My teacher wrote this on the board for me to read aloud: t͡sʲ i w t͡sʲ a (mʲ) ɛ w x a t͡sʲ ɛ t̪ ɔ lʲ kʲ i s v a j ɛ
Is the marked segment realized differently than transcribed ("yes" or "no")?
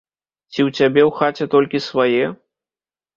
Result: yes